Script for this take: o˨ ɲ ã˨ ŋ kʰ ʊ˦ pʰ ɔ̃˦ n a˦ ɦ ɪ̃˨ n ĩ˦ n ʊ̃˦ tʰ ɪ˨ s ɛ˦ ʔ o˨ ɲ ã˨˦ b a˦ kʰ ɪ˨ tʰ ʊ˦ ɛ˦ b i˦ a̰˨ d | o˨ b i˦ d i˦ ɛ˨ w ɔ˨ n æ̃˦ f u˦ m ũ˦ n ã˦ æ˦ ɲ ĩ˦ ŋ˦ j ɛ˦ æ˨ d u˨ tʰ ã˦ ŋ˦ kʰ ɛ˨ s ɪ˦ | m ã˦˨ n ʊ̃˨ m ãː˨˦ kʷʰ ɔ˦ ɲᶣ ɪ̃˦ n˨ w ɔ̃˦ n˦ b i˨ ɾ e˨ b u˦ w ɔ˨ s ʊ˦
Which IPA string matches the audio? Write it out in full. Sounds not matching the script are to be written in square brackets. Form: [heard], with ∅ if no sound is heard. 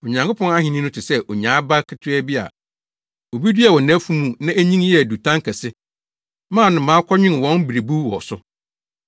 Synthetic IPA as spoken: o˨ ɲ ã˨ ŋ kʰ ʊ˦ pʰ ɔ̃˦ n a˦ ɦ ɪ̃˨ n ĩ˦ n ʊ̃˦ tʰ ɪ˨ s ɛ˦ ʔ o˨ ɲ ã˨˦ b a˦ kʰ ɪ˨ tʰ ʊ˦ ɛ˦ b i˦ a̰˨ [∅] | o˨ b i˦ d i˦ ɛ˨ w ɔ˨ n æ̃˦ f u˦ m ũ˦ n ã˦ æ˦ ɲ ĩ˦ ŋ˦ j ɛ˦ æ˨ d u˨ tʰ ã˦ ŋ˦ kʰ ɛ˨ s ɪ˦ | m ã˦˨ n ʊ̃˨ m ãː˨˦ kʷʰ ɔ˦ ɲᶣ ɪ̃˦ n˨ w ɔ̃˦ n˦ b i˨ ɾ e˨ b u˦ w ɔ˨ s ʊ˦

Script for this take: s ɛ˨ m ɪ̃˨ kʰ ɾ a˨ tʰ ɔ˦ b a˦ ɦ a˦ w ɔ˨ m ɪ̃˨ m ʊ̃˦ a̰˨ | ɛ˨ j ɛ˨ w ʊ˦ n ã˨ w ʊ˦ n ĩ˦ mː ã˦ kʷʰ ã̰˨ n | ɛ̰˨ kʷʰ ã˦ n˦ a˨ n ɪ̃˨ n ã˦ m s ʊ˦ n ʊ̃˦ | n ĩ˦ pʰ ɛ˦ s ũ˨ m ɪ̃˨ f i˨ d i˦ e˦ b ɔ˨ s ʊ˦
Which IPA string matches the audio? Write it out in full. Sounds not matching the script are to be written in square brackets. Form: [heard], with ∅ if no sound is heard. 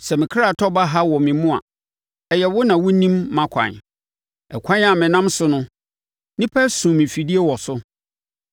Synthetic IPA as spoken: s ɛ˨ m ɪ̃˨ kʰ ɾ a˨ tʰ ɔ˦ b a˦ ɦ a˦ w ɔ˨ m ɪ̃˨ m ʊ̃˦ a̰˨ | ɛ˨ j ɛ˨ w ʊ˦ n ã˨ w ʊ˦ n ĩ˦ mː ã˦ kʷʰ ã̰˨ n | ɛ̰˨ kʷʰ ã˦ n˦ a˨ [m] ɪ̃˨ n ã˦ m s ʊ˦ n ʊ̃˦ | n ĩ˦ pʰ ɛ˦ s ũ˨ m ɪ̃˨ f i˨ d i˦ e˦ [w] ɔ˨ s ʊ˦

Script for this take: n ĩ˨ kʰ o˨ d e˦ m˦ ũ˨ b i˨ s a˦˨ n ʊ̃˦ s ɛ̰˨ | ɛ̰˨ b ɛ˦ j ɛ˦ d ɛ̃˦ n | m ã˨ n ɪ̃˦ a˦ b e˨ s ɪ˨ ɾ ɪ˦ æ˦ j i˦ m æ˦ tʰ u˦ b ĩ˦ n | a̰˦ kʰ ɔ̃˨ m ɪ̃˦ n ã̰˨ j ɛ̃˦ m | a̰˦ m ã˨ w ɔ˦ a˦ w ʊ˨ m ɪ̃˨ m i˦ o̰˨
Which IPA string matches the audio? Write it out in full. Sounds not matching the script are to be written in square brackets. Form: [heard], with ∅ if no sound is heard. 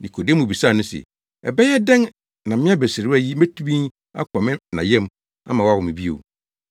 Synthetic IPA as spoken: n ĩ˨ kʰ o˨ d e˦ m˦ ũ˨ b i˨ s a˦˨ n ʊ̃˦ s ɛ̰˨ | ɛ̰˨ b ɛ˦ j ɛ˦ d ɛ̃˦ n | [n] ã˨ [m] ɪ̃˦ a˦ b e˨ s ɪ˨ ɾ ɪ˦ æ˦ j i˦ m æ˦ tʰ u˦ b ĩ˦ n | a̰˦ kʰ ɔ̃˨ m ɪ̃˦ n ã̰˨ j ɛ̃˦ m | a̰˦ m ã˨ w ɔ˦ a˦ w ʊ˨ m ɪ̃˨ [b] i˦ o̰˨

